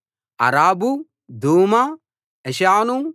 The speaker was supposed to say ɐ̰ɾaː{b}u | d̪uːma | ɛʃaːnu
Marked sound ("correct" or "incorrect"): correct